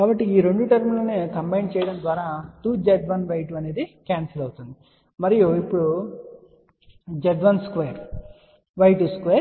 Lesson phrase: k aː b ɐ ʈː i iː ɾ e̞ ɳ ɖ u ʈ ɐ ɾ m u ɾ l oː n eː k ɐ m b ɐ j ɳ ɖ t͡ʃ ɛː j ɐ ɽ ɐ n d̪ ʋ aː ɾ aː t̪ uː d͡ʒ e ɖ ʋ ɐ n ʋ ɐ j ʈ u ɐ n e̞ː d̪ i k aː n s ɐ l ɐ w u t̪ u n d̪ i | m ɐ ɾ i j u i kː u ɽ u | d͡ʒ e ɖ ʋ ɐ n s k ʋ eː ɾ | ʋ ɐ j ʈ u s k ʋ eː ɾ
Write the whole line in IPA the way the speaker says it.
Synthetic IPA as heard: k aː b ɐ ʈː i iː ɾ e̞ ɳ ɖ u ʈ ɐ ɾ m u l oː n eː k ɐ m b ɐ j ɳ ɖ t͡ʃ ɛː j ɐ ɽ ɐ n d̪ ʋ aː ɾ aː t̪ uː d͡ʒ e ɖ ʋ ɐ n ʋ ɐ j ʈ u ɐ n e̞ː d̪ i k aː n s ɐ l ɐ w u t̪ u n d̪ i | m ɐ ɾ i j u i pː u ɽ u | d͡ʒ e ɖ ʋ ɐ n s k ʋ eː ɾ | ʋ ɐ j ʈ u s k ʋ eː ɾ